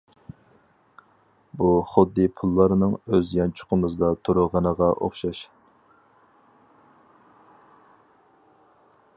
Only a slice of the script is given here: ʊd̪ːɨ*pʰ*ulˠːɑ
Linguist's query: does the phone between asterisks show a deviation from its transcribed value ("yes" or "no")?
no